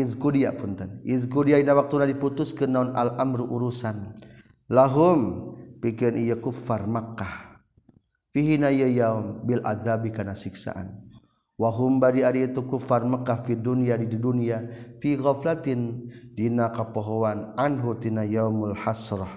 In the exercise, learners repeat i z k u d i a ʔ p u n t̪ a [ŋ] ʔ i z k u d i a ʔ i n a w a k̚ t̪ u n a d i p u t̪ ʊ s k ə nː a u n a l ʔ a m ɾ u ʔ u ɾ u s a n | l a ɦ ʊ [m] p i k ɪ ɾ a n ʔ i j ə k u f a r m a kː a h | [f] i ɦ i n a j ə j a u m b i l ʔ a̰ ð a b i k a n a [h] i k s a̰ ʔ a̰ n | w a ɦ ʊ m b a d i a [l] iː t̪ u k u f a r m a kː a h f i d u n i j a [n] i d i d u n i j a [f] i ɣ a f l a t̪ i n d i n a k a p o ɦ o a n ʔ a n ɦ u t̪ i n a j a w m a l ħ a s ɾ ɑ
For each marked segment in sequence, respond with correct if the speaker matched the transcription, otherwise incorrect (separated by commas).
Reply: incorrect, correct, correct, incorrect, incorrect, incorrect, correct